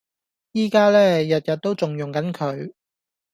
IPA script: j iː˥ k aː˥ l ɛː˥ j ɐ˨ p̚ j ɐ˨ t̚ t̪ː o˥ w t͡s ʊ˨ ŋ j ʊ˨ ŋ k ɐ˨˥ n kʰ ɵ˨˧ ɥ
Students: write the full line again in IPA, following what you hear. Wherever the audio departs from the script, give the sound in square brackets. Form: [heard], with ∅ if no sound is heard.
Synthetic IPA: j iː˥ k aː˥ l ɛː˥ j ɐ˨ [t̚] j ɐ˨ t̚ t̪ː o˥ w t͡s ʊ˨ ŋ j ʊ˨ ŋ k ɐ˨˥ n kʰ ɵ˨˧ ɥ